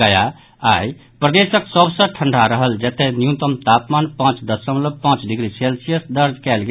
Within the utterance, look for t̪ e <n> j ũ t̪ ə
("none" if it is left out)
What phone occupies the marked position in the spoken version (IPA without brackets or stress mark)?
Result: n